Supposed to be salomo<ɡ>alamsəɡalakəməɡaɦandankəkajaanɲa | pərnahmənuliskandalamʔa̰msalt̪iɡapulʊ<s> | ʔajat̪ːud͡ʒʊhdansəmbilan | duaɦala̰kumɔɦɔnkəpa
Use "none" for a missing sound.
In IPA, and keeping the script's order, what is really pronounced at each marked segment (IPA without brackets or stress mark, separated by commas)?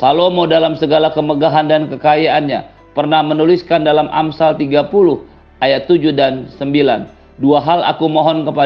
d, h